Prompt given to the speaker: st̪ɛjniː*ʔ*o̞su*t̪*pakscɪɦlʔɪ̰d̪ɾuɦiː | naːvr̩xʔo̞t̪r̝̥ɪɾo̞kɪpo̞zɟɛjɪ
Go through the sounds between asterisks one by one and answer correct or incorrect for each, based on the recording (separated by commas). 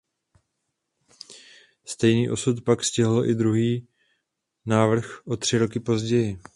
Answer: correct, correct